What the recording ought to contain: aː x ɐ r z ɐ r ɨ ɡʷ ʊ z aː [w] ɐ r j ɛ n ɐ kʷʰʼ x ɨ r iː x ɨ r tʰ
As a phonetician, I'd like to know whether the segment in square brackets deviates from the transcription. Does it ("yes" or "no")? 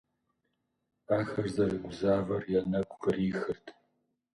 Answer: yes